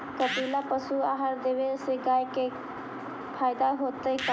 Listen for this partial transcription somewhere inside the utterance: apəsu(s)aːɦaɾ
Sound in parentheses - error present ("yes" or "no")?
yes